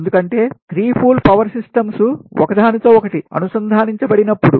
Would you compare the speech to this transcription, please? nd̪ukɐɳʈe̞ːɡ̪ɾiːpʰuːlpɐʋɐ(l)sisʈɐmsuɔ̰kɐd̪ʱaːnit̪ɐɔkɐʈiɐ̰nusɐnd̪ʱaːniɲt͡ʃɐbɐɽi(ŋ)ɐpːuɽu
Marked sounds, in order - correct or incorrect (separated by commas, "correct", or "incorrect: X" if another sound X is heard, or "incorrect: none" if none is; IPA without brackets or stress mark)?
incorrect: ɾ, incorrect: n